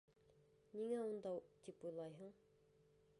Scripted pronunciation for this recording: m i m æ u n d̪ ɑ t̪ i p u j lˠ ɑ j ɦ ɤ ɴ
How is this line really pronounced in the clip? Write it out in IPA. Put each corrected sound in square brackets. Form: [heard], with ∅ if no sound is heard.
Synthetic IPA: [n] i [ŋ] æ u n d̪ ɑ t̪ i p u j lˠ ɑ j ɦ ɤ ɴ